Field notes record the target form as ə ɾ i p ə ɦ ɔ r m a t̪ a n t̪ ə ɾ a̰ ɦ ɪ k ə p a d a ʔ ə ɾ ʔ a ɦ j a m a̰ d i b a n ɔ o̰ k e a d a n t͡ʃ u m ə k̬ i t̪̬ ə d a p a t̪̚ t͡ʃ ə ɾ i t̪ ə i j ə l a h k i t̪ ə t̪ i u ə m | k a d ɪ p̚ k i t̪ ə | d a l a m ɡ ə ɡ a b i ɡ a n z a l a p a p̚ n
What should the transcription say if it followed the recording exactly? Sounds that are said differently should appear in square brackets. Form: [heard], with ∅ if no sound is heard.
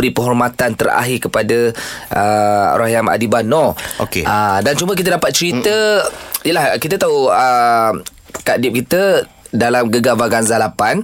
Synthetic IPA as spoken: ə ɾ i p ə ɦ ɔ r m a t̪ a n t̪ ə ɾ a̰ ɦ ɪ k ə p a d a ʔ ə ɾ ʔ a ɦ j a m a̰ d i b a n ɔ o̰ k e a d a n t͡ʃ u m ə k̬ i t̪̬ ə d a p a t̪̚ t͡ʃ ə ɾ i t̪ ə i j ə l a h k i t̪ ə t̪ [a] u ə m | k a d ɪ p̚ k i t̪ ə | d a l a m ɡ ə ɡ a b [a] ɡ a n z a l a p a [∅] n